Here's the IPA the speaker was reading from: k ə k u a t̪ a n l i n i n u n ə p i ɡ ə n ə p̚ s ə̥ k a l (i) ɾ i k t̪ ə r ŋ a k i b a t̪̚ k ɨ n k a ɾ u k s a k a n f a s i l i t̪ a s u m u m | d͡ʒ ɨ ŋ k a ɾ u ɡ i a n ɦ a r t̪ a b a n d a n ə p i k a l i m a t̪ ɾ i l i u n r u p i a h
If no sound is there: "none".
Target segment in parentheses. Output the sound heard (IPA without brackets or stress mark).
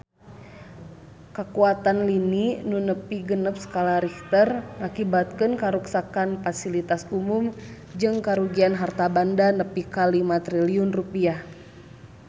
a